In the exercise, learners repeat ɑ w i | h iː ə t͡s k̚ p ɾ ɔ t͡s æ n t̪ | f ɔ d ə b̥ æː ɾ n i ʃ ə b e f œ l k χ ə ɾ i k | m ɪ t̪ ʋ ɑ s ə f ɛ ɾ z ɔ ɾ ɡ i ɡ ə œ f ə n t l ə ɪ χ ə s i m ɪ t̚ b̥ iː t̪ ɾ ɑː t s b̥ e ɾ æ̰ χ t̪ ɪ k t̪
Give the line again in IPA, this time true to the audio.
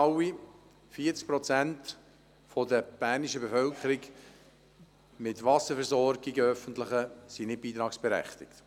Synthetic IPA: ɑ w i | f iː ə t͡s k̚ p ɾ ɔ t͡s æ n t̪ | f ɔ d ə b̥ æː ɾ n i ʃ ə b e f œ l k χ ə ɾ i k | m ɪ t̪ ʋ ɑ s ə f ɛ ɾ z ɔ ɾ ɡ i ɡ ə œ f ə n t l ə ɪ χ ə s i n ɪ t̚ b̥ iː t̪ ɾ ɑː k s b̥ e ɾ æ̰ χ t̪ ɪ k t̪